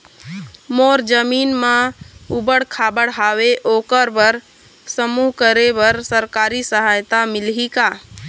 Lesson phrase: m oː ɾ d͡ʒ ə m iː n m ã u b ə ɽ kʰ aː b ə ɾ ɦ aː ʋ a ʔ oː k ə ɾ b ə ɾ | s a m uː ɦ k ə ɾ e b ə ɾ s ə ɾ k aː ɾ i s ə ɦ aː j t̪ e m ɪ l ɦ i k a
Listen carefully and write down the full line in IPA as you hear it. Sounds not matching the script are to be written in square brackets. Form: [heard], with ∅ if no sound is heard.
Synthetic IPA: m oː ɾ d͡ʒ ə m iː n m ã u b ə ɽ kʰ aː b ə [ɽ] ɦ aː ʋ [e] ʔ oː k ə ɾ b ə ɾ | s [ə] m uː ɦ k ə ɾ e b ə ɾ s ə ɾ k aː ɾ i s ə ɦ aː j t̪ [a] m ɪ l ɦ i k a